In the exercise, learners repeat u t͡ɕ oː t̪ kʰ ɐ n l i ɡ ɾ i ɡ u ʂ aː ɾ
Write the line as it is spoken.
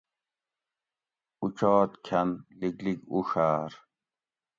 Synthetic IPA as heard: u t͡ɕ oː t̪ kʰ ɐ n l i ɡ l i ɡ u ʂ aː ɾ